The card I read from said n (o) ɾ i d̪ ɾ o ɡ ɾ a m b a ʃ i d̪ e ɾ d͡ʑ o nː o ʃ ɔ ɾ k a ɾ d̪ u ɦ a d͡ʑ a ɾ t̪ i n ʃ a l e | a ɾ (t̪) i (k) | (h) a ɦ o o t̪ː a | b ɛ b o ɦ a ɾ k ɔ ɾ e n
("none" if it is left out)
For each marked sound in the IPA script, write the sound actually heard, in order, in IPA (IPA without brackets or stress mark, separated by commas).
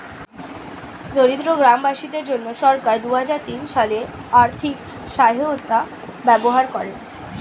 o, t̪ʰ, k, ʃ